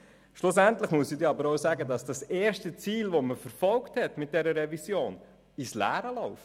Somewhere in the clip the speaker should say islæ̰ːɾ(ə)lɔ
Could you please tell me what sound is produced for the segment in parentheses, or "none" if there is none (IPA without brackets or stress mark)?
ə